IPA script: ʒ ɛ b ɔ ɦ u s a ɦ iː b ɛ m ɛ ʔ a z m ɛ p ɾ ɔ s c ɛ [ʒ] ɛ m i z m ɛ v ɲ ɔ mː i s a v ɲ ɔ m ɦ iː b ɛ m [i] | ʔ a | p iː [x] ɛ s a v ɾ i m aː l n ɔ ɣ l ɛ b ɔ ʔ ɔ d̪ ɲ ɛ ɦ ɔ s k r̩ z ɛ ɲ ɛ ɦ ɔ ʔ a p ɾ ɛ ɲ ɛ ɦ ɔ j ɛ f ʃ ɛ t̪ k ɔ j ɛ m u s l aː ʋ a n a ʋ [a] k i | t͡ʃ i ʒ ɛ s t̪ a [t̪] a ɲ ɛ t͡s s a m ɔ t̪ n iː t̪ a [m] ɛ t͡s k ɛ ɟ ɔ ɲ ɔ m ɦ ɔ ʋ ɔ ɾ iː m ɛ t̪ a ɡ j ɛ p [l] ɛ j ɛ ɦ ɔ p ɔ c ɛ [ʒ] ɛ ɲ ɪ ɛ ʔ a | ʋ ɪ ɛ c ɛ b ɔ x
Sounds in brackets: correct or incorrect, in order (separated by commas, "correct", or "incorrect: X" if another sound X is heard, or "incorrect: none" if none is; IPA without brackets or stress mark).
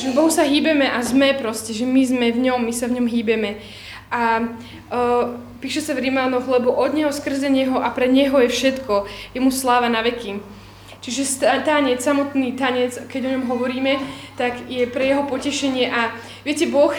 correct, incorrect: ɛ, incorrect: ʃ, incorrect: ɛ, correct, incorrect: ɲ, incorrect: ɾ, incorrect: ʃ